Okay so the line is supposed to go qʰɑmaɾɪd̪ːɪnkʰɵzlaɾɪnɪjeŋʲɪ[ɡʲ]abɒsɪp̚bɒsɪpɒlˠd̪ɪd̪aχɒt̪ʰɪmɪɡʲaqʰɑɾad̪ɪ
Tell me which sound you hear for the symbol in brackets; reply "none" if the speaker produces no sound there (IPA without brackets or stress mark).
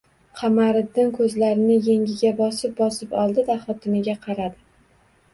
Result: ɡʲ